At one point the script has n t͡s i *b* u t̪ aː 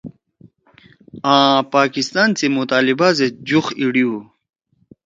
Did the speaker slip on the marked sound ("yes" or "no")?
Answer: yes